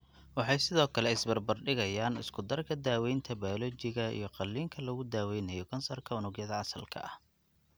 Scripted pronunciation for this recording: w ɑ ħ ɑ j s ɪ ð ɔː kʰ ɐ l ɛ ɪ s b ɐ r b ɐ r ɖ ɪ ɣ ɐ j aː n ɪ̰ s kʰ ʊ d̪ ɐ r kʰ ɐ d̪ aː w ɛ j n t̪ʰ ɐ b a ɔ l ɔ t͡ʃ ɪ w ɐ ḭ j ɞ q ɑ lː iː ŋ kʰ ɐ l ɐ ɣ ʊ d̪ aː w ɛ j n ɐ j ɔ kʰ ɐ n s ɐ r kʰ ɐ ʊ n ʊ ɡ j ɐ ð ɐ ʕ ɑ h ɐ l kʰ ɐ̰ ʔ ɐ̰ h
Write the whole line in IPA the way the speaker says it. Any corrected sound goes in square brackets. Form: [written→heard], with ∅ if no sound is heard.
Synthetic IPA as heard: w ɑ ħ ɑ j s ɪ ð ɔː kʰ ɐ l ɛ ɪ s b ɐ r b ɐ r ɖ ɪ ɣ ɐ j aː n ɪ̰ s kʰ ʊ d̪ ɐ r kʰ ɐ d̪ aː w ɛ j n t̪ʰ ɐ b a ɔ l ɔ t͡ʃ ɪ [w→ɣ] ɐ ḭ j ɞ q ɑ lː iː ŋ kʰ ɐ l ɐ ɣ ʊ d̪ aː w ɛ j n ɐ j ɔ kʰ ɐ n s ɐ r kʰ ɐ ʊ n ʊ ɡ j ɐ ð ɐ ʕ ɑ [h→s] ɐ l kʰ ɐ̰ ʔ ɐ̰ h